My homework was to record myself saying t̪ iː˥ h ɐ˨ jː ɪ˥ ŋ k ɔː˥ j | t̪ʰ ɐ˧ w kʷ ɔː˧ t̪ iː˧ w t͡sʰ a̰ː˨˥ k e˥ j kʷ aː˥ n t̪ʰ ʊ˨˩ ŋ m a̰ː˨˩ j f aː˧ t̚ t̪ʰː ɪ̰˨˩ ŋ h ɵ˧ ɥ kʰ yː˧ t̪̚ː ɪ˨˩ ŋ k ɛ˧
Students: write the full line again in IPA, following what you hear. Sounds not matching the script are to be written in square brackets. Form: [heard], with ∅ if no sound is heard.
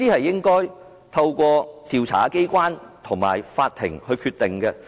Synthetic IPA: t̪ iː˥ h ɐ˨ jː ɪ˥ ŋ k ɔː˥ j | t̪ʰ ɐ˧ w kʷ ɔː˧ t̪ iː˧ w t͡sʰ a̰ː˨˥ k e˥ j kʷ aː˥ n t̪ʰ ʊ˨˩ ŋ m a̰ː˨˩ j f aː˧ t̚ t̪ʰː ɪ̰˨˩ ŋ h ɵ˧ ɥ kʰ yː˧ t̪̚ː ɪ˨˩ ŋ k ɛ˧